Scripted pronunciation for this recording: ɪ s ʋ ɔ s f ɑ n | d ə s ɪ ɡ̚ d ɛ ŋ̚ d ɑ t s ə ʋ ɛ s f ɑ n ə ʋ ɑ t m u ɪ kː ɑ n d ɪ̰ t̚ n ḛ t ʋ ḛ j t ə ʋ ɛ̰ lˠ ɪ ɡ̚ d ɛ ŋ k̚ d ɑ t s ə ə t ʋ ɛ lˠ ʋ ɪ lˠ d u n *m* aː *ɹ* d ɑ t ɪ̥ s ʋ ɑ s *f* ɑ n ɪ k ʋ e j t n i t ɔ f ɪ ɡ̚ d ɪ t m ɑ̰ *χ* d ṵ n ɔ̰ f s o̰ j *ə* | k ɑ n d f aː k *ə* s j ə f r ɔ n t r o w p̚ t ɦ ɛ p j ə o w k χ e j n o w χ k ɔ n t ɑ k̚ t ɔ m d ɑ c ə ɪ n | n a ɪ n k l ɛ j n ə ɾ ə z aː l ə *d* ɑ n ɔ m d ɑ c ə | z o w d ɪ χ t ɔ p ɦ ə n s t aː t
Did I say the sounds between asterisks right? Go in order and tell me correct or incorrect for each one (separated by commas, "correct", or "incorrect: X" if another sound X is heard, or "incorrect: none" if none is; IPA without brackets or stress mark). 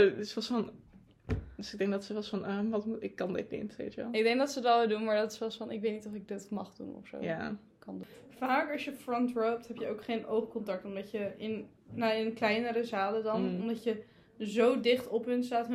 correct, correct, correct, correct, incorrect: a, incorrect: ɑ, correct